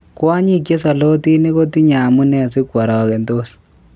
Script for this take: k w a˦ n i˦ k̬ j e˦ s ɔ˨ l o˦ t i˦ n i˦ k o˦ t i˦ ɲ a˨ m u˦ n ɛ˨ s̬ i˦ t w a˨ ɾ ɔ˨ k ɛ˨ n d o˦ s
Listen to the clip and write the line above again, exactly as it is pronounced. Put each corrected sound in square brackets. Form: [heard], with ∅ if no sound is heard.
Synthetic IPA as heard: k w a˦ [ɲ] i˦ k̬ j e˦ s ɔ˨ l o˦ t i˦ n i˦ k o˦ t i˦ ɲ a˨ m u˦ n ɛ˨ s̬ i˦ [k] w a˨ ɾ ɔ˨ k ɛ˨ n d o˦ s